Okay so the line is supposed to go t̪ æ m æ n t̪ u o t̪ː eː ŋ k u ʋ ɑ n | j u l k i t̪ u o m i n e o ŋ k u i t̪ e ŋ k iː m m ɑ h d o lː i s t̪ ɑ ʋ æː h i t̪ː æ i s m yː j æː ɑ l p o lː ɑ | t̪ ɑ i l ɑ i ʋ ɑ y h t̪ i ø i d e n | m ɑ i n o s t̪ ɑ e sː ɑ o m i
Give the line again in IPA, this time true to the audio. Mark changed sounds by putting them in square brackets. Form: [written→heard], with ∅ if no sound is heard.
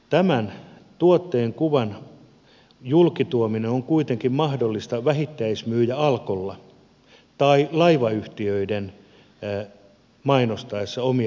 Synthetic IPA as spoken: t̪ æ m æ n t̪ u o t̪ː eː ŋ k u ʋ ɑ n | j u l k i t̪ u o m i n e o ŋ k u i t̪ e ŋ k [iː→i] m m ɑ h d o lː i s t̪ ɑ ʋ [æː→æ] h i t̪ː æ i s m yː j [æː→æ] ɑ l [p→k] o lː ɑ | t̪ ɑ i l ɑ i ʋ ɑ y h t̪ i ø i d e n | m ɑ i n o s t̪ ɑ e sː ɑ o m i